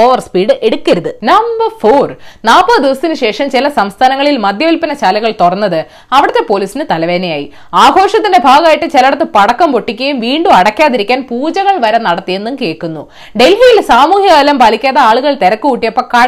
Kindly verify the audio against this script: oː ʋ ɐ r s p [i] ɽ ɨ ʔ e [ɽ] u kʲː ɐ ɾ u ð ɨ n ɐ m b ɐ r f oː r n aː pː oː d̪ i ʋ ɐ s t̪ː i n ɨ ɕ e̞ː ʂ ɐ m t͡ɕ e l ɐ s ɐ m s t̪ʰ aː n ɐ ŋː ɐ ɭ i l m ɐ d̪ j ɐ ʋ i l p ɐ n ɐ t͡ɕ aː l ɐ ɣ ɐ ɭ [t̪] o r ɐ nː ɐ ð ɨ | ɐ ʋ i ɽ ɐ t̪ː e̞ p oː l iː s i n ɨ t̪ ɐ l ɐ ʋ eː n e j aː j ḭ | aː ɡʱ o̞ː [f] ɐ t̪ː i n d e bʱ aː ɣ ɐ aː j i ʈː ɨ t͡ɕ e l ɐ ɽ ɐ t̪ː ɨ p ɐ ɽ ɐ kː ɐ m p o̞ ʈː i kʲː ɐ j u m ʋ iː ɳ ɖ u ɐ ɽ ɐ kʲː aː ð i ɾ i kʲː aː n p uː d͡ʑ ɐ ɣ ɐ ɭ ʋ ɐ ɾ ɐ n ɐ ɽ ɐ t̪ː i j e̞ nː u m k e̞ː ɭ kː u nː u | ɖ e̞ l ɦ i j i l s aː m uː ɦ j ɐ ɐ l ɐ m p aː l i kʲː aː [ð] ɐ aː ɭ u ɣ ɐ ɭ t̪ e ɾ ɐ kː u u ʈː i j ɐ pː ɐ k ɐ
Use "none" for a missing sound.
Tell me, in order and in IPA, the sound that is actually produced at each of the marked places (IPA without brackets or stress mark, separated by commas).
iː, ɽ, t̪, ʂ, ð